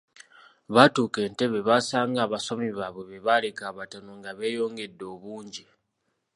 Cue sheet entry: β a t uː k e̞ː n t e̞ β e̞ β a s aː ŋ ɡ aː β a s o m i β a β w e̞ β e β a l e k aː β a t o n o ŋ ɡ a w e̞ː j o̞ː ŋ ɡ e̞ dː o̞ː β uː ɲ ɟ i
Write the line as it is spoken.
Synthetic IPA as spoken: β a t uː k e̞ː n t e̞ β e̞ β a s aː ŋ ɡ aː β a s o m i β a β w e̞ β e β a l e k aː β a t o n o ŋ ɡ a β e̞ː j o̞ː ŋ ɡ e̞ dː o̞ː β uː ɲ ɟ i